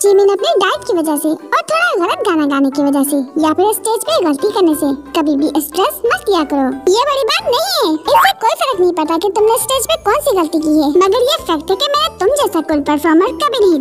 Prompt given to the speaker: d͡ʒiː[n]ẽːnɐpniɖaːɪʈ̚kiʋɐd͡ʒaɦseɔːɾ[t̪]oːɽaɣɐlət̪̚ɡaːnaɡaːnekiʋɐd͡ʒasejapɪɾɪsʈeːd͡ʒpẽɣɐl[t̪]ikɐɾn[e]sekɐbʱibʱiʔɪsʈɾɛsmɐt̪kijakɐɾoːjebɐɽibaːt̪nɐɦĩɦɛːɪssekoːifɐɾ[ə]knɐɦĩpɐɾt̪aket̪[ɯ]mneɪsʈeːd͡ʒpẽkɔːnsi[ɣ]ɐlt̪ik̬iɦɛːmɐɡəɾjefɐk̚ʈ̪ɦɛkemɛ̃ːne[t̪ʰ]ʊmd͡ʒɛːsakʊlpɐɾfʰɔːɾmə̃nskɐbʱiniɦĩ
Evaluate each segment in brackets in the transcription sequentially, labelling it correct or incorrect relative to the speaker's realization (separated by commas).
incorrect, incorrect, correct, correct, correct, incorrect, correct, incorrect